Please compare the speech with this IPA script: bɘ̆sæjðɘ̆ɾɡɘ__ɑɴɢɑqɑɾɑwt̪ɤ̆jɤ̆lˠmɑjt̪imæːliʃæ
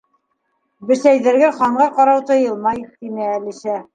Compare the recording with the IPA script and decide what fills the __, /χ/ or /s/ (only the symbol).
χ